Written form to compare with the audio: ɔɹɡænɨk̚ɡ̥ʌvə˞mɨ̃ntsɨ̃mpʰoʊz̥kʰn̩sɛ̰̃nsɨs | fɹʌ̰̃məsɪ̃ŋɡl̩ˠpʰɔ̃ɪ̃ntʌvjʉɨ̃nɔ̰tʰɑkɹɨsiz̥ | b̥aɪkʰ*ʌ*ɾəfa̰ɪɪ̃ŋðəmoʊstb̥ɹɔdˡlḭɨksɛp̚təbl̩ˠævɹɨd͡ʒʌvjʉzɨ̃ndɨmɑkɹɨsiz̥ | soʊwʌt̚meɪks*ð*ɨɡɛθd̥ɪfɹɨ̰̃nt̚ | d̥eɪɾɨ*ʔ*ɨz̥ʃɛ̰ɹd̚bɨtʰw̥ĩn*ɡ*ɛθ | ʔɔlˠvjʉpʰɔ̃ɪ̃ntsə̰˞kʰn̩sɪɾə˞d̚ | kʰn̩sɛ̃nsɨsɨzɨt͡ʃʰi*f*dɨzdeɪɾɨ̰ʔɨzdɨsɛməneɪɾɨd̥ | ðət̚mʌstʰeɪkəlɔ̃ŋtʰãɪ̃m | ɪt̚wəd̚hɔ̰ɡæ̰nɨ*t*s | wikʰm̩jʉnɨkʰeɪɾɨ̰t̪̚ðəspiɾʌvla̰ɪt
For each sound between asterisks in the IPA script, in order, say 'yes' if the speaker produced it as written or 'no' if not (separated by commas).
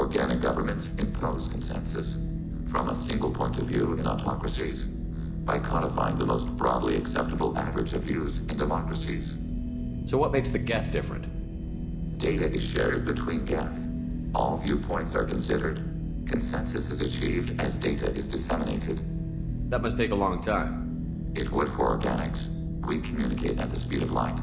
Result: no, yes, yes, yes, no, no